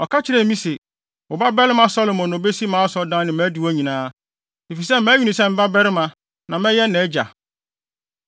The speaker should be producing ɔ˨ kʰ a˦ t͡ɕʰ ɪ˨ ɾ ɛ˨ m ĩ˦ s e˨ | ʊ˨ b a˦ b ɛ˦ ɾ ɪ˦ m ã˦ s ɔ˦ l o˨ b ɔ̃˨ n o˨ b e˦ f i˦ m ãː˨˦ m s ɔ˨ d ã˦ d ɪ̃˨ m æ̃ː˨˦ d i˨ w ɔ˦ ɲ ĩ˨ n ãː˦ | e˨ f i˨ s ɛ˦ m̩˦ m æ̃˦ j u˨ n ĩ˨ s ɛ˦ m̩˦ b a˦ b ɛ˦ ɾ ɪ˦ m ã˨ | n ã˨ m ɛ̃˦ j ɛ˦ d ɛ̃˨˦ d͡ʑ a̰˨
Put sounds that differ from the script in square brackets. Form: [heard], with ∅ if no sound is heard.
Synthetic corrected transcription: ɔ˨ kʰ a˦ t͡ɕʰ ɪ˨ ɾ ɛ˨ m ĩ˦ s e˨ | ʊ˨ b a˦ b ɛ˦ ɾ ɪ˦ m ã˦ s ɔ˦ l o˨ [m] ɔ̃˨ n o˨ b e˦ [s] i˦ m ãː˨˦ [∅] s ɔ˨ d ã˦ [n] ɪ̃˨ m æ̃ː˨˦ d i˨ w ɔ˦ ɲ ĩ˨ n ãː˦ | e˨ f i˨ s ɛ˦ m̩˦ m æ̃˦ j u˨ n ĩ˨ s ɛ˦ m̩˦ b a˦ b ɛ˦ ɾ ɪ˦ m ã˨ | n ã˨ m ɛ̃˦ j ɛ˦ [n] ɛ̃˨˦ d͡ʑ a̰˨

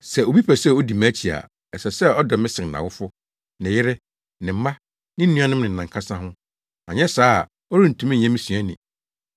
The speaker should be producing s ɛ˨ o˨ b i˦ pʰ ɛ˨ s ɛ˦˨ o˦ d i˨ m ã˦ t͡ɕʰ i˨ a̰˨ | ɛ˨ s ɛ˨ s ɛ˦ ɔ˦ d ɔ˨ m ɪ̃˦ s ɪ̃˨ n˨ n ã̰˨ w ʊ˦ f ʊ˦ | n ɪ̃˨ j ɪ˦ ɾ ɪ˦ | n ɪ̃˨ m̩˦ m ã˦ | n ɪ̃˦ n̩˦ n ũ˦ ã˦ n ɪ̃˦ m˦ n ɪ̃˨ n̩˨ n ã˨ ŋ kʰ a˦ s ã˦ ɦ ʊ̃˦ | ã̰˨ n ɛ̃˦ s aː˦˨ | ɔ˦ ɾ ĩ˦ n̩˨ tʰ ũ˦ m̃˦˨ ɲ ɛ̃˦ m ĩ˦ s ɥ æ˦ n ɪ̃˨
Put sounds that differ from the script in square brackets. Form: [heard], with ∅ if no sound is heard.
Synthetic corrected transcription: s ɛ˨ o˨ b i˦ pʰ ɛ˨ s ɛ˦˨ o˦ d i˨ m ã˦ t͡ɕʰ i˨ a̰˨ | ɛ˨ s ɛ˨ s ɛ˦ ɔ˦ d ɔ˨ m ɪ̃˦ s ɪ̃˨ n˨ n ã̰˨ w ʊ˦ f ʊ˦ | n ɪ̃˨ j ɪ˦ ɾ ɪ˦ | n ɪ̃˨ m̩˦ m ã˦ | n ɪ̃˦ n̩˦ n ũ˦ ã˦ n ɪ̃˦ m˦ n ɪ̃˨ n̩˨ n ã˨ ŋ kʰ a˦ s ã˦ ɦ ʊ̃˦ | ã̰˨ [ɲ] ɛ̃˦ s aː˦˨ | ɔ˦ ɾ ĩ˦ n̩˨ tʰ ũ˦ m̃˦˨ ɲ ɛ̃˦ m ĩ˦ s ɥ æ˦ n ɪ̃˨

